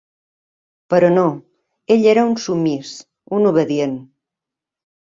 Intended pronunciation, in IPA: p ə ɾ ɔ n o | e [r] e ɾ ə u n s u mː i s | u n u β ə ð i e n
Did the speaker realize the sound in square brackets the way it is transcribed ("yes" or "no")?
no